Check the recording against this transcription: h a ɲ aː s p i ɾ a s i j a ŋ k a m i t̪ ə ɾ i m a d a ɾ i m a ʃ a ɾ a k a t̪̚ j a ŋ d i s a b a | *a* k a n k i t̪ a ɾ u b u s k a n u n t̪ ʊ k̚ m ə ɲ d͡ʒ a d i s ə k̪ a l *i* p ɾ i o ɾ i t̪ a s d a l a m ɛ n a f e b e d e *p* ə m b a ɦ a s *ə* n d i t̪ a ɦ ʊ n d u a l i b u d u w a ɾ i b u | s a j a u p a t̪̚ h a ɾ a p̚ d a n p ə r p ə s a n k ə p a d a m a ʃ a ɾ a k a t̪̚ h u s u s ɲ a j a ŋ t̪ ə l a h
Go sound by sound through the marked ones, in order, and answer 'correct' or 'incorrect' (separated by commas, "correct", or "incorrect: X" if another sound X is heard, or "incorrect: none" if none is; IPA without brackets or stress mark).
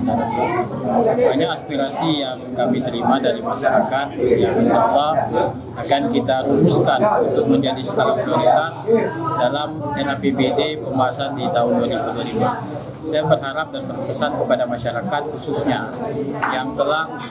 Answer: correct, incorrect: a, correct, incorrect: a